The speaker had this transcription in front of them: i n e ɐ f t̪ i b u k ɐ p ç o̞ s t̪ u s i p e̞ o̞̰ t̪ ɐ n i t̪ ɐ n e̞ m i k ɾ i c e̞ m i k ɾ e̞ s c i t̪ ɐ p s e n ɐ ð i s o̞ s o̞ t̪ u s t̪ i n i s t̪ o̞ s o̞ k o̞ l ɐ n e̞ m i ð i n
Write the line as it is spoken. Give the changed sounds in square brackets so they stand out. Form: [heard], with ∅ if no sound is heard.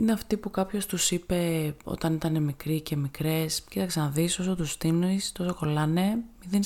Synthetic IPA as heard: i n e ɐ f t̪ i [p] u k ɐ p ç o̞ s t̪ u s i p e̞ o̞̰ t̪ ɐ n i t̪ ɐ n e̞ m i k ɾ i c e̞ m i k ɾ e̞ s c i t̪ ɐ [k] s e n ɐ ð i s o̞ s o̞ t̪ u s t̪ i n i s t̪ o̞ s o̞ k o̞ l ɐ n e̞ m i ð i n